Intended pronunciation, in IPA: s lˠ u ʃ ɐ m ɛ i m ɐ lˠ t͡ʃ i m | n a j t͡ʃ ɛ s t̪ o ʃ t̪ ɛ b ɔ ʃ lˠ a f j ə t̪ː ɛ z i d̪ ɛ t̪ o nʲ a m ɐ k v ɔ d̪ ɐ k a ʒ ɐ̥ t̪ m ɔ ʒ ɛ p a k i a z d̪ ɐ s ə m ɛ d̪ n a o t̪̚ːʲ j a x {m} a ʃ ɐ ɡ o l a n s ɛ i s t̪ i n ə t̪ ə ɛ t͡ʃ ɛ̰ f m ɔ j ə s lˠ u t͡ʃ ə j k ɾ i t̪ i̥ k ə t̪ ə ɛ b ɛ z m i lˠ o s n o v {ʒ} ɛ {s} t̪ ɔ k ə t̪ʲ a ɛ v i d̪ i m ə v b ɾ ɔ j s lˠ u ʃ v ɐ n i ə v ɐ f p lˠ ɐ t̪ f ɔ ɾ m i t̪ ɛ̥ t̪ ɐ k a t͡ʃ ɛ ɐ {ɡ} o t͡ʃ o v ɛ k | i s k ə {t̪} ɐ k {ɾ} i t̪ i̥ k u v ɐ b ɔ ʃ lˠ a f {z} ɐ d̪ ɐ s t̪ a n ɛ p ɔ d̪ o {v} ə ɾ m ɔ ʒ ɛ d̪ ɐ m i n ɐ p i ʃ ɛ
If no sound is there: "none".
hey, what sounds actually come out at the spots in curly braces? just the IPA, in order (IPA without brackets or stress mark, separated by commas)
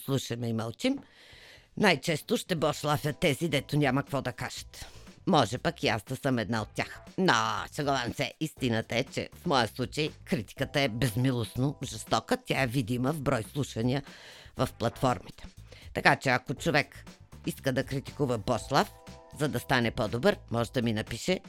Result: n, ʒ, s, k, d̪, ɾ, z, b